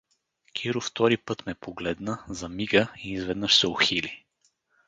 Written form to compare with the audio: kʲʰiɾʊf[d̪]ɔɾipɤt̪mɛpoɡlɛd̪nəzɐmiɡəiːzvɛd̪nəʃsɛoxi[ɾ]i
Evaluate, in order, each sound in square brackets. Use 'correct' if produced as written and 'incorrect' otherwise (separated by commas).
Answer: incorrect, incorrect